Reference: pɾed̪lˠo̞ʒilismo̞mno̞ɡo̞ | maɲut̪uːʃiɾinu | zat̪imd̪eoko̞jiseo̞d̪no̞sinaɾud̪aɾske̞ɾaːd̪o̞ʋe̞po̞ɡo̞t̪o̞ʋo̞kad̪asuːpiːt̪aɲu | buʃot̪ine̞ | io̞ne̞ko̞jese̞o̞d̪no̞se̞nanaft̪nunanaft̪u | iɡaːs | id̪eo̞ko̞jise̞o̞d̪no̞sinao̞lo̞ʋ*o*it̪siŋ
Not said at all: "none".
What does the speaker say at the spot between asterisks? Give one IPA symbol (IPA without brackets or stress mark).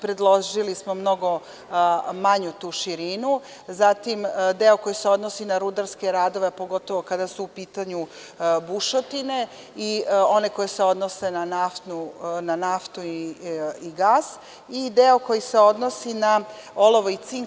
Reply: o